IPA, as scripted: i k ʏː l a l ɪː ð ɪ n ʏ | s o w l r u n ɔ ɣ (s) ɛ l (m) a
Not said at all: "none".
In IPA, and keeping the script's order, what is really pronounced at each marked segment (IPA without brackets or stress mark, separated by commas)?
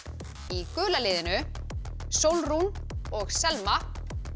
s, m